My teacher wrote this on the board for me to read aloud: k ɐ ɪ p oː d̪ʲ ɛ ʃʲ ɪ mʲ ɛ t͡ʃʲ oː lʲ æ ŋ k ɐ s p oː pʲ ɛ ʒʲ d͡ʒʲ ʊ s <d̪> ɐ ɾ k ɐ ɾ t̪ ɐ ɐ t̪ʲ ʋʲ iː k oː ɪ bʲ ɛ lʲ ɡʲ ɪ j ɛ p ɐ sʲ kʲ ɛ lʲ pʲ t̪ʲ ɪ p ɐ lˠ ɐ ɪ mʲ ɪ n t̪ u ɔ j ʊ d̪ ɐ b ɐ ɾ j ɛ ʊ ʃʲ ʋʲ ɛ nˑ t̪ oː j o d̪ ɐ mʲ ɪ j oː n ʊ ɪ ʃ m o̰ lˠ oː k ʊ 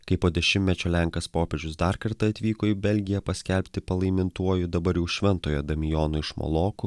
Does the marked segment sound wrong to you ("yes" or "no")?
no